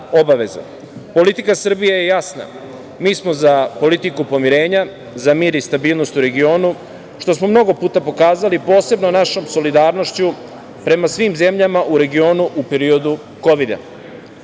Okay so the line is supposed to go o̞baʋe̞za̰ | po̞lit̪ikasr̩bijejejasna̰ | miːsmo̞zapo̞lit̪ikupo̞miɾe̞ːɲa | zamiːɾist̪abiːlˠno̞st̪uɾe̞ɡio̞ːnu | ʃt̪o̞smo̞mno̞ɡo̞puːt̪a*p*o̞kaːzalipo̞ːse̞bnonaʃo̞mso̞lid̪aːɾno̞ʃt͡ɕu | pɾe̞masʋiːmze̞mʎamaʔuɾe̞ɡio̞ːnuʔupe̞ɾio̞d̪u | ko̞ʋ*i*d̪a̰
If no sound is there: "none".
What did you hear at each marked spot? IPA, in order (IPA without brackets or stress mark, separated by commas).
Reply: p, i